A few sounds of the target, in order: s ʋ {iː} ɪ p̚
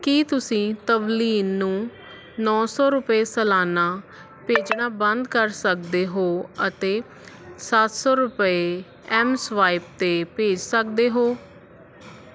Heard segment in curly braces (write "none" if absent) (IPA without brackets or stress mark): aː